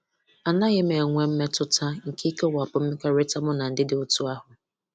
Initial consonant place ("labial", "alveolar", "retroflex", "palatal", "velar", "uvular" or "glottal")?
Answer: alveolar